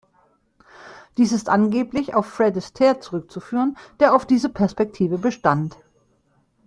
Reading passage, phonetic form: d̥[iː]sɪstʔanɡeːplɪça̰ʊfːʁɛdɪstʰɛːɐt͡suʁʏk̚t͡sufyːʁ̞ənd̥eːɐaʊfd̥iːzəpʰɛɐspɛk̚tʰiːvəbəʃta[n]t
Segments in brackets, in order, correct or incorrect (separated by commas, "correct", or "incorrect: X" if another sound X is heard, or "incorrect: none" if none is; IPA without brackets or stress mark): correct, correct